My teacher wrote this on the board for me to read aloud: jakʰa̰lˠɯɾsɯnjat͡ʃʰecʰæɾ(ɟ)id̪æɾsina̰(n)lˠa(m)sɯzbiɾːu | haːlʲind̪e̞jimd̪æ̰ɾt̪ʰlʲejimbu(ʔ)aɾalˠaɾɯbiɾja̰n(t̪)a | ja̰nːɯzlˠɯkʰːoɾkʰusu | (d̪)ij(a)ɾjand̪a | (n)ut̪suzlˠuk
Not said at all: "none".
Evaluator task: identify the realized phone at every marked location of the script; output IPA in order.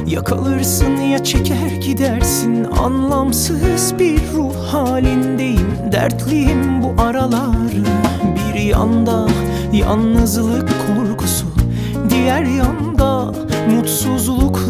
ɟ, n, m, ʔ, d̪, d̪, æ, m

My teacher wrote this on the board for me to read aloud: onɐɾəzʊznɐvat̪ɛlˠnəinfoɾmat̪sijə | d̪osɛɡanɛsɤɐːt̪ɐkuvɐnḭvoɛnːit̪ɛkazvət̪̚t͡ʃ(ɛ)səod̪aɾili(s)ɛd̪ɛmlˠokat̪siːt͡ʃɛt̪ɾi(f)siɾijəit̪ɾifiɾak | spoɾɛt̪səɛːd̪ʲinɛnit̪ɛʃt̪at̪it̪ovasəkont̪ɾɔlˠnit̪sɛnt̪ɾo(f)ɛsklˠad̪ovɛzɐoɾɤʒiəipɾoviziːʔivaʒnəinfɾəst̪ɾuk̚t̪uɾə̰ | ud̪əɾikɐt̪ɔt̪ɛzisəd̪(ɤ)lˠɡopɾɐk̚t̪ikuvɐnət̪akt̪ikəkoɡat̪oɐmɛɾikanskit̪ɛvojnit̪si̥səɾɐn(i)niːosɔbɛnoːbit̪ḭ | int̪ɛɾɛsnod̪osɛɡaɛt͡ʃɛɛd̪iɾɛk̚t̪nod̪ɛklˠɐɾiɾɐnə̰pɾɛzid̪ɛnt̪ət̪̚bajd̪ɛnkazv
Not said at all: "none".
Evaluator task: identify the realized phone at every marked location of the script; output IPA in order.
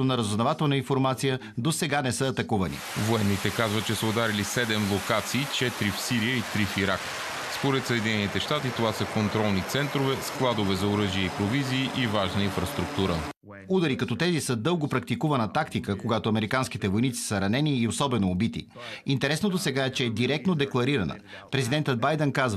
ɛ, s, f, v, ɤ, ɛ

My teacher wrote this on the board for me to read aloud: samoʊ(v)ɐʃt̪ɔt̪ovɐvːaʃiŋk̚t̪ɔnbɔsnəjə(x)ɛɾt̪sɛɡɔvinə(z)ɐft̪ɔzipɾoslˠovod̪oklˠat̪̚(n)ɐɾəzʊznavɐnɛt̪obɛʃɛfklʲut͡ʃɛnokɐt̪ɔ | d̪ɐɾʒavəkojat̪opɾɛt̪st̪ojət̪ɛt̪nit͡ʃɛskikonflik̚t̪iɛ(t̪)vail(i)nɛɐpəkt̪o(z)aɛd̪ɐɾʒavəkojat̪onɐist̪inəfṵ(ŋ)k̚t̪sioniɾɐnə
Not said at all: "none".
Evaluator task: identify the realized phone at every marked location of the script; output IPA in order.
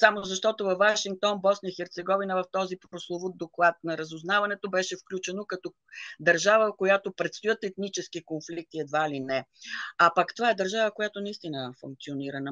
z, x, v, n, d̪, i, v, ŋ

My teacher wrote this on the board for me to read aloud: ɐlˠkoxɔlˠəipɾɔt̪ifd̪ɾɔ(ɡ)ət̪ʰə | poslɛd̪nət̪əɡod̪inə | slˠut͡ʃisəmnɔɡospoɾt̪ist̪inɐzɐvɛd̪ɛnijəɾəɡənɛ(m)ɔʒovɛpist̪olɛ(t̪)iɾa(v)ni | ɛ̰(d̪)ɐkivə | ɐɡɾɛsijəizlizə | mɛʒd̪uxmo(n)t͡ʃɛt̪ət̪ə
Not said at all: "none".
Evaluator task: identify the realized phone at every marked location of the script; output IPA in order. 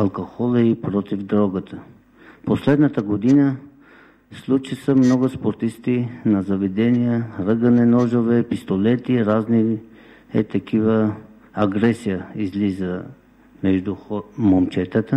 ɡ, n, t̪, z, t̪, m

